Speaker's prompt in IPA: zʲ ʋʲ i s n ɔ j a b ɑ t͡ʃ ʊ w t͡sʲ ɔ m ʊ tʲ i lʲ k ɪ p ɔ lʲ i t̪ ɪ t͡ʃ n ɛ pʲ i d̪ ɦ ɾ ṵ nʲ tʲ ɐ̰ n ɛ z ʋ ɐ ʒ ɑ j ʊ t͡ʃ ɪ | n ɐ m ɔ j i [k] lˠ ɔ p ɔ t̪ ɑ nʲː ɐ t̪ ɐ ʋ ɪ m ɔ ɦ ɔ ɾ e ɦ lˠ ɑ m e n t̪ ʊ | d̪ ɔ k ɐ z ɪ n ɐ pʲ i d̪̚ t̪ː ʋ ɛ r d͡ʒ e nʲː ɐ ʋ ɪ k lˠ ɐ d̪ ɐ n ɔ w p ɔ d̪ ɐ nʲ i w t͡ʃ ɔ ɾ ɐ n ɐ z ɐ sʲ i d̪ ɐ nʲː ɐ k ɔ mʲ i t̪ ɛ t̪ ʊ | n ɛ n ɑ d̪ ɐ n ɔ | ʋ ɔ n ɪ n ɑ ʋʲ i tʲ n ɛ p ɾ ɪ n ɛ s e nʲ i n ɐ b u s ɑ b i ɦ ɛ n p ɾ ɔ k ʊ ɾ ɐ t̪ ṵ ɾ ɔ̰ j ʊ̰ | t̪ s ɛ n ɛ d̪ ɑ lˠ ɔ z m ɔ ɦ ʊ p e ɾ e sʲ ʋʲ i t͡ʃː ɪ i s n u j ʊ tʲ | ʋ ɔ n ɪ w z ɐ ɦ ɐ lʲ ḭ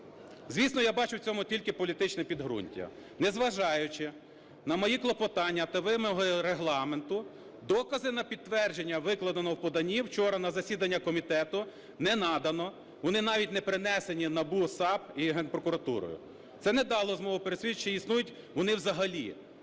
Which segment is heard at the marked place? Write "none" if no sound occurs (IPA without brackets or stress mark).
k